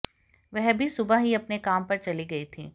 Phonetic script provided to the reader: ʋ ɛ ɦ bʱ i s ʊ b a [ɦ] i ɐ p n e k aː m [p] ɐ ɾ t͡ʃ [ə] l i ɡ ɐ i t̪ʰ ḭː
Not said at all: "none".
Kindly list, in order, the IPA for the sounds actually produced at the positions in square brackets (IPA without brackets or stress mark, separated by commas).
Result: ɦ, p, ɐ